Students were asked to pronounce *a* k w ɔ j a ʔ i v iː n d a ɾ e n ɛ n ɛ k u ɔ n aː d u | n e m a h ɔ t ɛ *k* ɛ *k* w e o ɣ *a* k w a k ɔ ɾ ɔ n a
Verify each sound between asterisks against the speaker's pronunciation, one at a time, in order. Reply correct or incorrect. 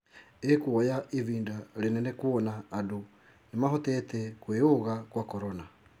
incorrect: e, incorrect: t, correct, correct

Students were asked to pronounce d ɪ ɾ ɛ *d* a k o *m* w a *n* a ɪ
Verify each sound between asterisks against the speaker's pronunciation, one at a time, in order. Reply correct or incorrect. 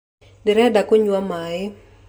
correct, incorrect: ɲ, incorrect: m

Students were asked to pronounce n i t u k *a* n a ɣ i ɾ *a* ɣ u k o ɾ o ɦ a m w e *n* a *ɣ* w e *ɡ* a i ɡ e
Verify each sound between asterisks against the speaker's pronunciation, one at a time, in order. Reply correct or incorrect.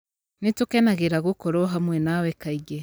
incorrect: e, correct, correct, incorrect: none, incorrect: k

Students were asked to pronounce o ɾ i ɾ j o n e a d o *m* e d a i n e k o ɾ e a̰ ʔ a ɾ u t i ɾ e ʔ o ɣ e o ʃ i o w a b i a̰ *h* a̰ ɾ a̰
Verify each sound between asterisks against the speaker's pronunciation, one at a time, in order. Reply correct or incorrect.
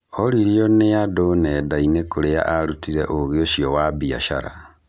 incorrect: n, incorrect: ʃ

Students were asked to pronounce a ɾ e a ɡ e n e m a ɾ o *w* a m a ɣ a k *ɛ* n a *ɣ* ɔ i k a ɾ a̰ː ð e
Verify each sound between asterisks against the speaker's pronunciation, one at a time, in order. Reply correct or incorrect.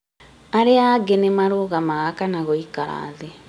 incorrect: ɣ, incorrect: a, correct

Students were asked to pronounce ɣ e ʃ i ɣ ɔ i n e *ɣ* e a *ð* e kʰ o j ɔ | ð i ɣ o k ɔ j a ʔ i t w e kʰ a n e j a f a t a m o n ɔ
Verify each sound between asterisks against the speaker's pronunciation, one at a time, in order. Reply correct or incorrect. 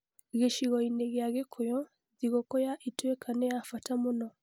correct, incorrect: ɣ

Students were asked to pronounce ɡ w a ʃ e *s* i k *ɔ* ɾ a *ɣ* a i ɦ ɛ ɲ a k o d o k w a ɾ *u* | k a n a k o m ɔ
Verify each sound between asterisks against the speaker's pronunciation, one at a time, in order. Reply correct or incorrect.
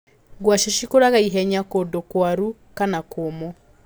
incorrect: ʃ, incorrect: o, correct, correct

